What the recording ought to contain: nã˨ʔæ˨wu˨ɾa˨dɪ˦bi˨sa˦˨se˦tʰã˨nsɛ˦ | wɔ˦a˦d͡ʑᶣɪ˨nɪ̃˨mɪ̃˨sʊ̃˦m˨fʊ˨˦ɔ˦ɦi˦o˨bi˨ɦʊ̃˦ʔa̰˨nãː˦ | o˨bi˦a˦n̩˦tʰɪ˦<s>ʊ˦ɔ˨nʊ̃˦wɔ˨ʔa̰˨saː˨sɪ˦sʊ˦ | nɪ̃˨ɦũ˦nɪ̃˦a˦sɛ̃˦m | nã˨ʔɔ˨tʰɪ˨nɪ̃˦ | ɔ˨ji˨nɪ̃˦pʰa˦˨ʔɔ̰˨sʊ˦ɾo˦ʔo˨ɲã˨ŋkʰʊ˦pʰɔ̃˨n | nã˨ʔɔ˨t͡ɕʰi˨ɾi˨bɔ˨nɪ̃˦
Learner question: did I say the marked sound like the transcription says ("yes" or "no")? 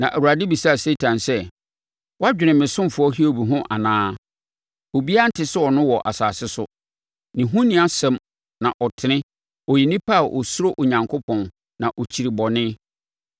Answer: yes